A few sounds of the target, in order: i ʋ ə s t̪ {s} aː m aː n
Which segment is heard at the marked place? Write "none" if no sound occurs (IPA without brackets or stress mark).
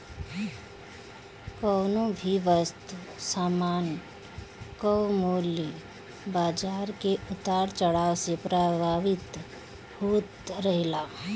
s